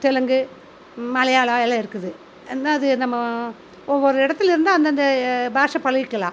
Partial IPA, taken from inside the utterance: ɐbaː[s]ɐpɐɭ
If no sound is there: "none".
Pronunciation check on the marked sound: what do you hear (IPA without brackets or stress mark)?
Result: ʂ